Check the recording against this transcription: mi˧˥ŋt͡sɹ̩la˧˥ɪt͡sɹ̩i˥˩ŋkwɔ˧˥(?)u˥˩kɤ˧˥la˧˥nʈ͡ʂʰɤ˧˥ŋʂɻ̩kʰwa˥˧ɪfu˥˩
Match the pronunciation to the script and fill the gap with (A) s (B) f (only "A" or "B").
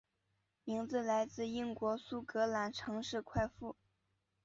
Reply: A